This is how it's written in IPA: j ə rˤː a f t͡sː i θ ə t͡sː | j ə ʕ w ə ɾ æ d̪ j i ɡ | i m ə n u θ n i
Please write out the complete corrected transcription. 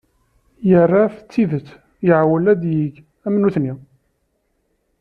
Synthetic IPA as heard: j ə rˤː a f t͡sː i ð ə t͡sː | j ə ʕ w ə l æ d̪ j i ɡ | æ m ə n u θ n i